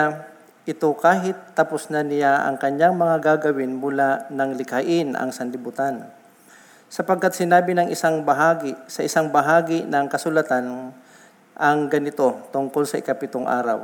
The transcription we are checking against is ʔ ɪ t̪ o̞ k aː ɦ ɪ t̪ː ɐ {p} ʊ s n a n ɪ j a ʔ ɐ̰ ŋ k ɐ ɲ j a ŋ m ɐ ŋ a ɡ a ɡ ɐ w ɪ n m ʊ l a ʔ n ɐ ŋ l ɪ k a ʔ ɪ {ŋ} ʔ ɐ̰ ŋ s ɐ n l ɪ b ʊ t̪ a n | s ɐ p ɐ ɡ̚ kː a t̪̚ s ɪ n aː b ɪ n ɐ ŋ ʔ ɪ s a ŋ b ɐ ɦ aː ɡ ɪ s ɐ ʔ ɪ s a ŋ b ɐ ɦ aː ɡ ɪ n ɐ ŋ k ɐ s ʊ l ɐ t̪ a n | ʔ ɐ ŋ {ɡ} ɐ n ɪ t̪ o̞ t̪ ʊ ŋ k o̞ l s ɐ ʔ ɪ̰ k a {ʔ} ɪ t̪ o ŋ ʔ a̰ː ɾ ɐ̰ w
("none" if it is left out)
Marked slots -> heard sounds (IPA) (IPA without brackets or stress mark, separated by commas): p, n, ɡ, p